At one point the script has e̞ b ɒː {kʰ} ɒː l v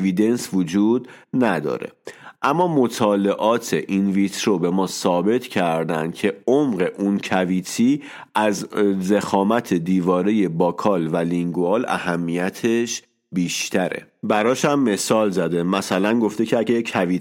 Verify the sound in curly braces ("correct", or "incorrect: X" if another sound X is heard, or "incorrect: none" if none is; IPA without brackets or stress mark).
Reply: correct